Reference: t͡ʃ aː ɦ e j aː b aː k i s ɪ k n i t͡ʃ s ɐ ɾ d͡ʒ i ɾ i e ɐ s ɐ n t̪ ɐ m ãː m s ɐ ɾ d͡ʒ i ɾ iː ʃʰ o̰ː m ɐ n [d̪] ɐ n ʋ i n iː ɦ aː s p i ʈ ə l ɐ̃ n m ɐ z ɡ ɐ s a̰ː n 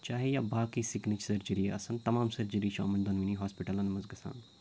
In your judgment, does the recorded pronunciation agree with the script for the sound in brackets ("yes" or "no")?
yes